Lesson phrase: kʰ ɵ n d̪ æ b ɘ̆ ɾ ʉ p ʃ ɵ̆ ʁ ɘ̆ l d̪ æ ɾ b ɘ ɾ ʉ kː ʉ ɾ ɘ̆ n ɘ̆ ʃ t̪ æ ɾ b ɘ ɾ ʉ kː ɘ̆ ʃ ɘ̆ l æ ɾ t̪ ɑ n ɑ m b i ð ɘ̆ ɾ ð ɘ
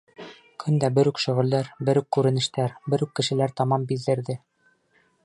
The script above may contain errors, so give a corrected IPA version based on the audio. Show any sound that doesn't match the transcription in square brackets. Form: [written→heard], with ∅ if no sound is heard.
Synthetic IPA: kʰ ɵ n d̪ æ b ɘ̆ ɾ ʉ [p→k] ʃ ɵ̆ ʁ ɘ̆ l d̪ æ ɾ b ɘ ɾ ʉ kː ʉ ɾ ɘ̆ n ɘ̆ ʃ t̪ æ ɾ b ɘ ɾ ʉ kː ɘ̆ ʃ ɘ̆ l æ ɾ t̪ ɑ [n→m] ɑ m b i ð ɘ̆ ɾ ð ɘ